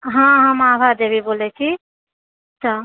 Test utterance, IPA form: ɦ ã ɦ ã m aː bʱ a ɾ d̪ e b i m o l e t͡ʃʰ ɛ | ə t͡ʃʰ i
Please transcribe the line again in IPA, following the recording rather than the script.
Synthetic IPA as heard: ɦ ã ɦ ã m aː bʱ a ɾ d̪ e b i b o l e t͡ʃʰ i | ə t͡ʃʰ a